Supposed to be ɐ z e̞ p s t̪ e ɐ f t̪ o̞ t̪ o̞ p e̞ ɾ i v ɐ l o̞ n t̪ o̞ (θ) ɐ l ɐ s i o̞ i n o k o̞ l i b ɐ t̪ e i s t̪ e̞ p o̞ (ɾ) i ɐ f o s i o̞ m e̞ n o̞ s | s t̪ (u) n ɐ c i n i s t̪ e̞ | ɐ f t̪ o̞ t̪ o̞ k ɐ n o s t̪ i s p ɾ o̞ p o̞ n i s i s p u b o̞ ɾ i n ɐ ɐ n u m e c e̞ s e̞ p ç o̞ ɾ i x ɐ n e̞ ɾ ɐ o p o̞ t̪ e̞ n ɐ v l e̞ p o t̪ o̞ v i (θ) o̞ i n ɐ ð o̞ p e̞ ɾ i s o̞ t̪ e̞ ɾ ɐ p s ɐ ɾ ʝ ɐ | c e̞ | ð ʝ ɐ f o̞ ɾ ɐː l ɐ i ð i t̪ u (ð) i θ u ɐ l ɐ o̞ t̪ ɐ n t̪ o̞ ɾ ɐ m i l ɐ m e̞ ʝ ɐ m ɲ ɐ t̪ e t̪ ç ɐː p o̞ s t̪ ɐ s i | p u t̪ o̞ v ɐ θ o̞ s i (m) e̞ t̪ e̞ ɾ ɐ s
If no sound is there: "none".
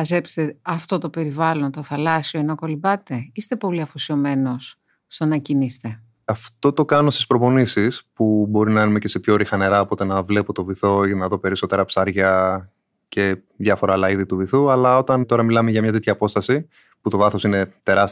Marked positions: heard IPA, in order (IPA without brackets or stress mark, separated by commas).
θ, l, o, θ, v, n